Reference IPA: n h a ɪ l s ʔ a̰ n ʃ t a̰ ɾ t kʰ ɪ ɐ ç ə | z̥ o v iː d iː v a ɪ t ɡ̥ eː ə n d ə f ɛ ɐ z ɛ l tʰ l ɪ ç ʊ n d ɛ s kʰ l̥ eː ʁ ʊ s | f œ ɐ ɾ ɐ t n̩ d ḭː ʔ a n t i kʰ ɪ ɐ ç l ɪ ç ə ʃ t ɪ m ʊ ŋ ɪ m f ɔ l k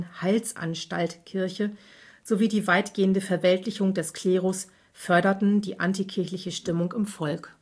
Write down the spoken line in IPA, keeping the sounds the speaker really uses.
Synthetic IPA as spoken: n h a ɪ l s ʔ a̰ n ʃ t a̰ l t kʰ ɪ ɐ ç ə | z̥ o v iː d iː v a ɪ t ɡ̥ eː ə n d ə f ɛ ɐ v ɛ l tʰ l ɪ ç ʊ ŋ d ɛ s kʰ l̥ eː ʁ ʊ s | f œ ɐ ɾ ɐ t n̩ d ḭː ʔ a n t i kʰ ɪ ɐ ç l ɪ ç ə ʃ t ɪ m ʊ ŋ ɪ m f ɔ l k

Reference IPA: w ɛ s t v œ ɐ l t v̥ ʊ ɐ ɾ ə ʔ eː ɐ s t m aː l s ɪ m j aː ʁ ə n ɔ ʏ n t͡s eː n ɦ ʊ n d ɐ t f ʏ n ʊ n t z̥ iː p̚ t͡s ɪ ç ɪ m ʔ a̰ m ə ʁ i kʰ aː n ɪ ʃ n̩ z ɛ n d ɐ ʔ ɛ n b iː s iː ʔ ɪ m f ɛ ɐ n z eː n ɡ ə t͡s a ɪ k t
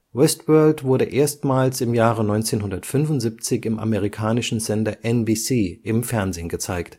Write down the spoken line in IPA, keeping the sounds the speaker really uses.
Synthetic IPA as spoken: w ɛ s t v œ ɐ l t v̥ ʊ ɐ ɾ ə ʔ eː ɐ s t m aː l s ɪ m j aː ʁ ə n ɔ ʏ n t͡s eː n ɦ ʊ n d ɐ t f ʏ n ʊ n t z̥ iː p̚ t͡s ɪ ç ɪ m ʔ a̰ m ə ʁ i kʰ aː n ɪ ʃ n̩ z ɛ n d ɐ ʔ ɛ n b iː s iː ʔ ɪ m f ɛ ɐ n z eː n ɡ ə t͡s a ɪ k t

